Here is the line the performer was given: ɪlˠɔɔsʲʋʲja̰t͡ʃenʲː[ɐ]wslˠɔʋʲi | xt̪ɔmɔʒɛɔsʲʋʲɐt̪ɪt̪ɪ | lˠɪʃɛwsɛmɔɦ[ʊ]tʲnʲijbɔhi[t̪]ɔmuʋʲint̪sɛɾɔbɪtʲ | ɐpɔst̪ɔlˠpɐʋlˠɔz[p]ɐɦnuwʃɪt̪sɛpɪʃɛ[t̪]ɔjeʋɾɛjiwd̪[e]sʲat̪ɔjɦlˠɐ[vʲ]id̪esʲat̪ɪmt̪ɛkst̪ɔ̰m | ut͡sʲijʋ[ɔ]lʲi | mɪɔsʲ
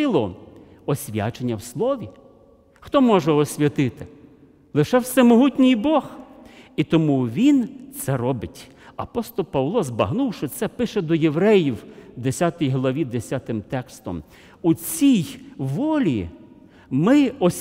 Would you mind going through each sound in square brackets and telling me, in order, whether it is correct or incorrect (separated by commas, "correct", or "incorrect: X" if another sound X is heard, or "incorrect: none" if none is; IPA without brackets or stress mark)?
correct, incorrect: u, correct, incorrect: b, incorrect: d̪, correct, incorrect: ʋʲ, correct